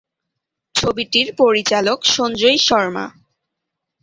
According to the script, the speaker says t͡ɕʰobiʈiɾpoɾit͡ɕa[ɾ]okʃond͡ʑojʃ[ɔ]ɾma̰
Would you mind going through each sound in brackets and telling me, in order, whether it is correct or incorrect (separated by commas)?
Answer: incorrect, correct